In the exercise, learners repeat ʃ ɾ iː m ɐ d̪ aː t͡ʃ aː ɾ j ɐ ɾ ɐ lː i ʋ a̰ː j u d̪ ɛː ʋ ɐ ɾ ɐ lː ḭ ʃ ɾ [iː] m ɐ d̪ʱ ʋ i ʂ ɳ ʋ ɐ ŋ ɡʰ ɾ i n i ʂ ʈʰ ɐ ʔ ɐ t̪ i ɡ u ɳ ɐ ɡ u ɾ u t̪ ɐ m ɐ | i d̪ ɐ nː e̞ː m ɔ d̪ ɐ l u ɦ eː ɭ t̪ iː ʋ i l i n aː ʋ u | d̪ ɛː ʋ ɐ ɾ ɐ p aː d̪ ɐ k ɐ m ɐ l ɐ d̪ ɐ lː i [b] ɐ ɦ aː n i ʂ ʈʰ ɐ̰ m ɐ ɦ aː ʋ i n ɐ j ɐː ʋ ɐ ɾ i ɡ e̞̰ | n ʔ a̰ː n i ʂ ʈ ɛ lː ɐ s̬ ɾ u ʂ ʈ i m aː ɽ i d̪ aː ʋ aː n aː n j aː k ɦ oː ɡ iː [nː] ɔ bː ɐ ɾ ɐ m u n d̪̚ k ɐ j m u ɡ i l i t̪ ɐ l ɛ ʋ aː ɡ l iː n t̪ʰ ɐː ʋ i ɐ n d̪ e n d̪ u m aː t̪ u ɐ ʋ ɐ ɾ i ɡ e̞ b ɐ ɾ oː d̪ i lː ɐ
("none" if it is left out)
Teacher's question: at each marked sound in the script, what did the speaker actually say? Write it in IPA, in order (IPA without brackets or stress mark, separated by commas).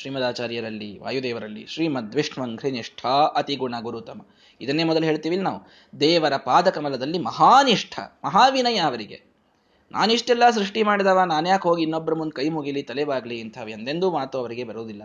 iː, m, nː